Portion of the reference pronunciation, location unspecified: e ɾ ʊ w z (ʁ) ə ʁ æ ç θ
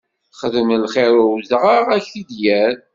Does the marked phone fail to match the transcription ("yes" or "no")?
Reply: no